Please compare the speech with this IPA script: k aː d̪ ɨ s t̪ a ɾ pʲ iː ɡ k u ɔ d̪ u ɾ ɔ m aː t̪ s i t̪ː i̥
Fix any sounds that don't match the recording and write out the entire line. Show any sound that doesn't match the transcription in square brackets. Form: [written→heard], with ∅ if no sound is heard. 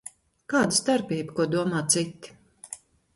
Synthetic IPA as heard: k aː d̪ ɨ s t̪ a ɾ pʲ iː [ɡ→b] k u ɔ d̪ u [ɾ→∅] ɔ m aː t̪ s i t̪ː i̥